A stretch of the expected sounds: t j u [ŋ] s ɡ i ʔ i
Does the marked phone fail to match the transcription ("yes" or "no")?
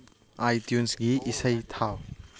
yes